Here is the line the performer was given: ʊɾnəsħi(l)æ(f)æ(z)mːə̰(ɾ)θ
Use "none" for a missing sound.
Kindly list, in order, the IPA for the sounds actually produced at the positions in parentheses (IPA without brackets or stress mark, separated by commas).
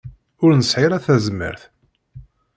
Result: ɾ, θ, z, ɾ